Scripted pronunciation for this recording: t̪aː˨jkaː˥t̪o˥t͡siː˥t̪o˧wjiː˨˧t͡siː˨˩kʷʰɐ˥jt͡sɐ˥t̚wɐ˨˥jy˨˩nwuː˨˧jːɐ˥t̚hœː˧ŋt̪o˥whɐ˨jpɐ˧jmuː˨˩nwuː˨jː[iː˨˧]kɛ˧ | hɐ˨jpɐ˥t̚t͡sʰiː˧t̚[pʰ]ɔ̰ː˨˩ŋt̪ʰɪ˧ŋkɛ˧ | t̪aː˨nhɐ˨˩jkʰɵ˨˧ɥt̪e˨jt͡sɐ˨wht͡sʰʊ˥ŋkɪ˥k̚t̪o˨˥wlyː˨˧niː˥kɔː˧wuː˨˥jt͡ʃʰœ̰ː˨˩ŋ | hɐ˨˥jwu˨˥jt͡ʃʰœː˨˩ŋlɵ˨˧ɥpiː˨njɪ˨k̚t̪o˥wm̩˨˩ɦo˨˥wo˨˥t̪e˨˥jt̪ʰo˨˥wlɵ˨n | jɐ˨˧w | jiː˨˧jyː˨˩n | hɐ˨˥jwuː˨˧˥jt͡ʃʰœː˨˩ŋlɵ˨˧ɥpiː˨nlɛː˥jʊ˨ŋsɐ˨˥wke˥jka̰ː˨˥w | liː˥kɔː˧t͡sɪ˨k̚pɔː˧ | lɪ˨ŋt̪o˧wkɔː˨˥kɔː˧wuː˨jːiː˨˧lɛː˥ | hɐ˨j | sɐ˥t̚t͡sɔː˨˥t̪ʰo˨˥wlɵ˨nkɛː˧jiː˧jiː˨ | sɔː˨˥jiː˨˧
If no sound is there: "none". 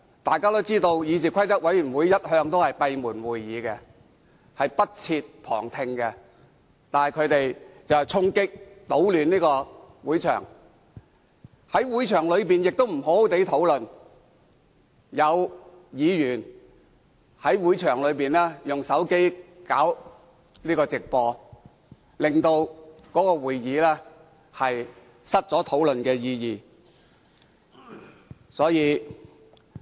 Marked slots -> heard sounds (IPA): iː˨˧, pʰ

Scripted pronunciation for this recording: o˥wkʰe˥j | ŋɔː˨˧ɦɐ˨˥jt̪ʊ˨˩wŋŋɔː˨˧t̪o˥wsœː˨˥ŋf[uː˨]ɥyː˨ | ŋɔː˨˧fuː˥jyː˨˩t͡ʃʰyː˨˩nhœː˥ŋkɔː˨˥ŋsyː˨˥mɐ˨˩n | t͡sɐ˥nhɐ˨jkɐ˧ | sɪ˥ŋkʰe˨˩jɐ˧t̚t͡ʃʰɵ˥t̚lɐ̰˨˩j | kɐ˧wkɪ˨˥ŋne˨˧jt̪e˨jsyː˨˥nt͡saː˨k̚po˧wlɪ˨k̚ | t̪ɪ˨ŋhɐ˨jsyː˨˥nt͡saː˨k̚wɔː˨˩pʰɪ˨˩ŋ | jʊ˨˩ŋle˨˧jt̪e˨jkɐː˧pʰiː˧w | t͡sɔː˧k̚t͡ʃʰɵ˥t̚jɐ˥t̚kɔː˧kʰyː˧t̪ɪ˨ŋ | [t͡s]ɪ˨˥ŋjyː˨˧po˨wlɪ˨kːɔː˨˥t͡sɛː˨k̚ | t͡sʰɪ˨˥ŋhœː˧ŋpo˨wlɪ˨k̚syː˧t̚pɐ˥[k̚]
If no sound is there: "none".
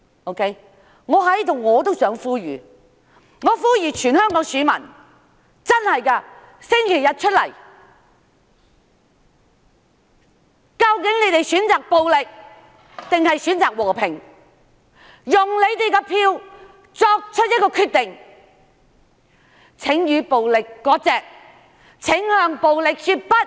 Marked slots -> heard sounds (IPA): uː˥, t͡sʰ, t̚

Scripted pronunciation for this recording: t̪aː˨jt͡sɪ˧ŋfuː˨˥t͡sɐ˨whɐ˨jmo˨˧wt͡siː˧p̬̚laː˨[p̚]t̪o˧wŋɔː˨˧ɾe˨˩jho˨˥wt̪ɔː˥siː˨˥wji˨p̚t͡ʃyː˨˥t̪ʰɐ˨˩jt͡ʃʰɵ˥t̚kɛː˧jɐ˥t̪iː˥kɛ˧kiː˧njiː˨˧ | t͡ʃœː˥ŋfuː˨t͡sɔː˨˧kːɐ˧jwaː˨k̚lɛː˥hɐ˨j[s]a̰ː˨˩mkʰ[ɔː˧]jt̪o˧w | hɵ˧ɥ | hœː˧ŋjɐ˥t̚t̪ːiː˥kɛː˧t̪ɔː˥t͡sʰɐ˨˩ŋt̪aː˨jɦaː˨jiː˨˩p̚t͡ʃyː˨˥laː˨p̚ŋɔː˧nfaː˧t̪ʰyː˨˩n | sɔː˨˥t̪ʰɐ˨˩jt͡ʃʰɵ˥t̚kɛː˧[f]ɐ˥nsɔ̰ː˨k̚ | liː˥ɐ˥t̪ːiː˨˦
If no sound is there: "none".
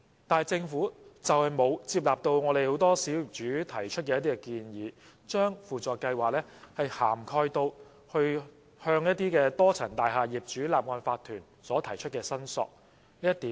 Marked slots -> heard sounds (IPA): p̚, h, ɔː˧, s

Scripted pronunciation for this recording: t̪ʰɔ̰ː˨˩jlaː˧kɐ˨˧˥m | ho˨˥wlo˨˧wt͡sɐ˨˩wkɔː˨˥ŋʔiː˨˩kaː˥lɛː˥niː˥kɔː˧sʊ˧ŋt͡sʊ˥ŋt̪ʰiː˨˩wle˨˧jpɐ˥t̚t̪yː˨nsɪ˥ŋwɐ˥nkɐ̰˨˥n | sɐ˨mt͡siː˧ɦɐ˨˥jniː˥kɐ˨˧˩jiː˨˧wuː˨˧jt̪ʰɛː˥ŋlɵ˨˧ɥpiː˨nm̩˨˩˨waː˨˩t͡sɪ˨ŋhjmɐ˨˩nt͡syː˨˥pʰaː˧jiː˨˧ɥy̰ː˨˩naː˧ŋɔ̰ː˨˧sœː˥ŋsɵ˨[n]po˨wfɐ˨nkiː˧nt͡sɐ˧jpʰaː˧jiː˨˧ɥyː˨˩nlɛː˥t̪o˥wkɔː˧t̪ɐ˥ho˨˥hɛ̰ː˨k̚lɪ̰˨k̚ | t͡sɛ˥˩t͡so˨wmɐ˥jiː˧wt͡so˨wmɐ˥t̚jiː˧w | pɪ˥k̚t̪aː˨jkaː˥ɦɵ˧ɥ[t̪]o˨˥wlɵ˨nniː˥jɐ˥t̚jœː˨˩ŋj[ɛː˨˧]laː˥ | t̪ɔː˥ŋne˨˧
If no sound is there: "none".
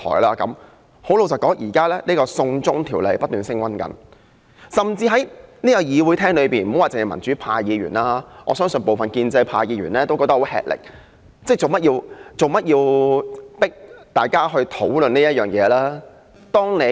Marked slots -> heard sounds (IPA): n, t̪ʰ, ɛː˨˧

